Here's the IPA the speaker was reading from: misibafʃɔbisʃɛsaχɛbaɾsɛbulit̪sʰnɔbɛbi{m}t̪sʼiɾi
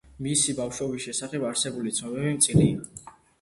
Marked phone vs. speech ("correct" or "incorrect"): correct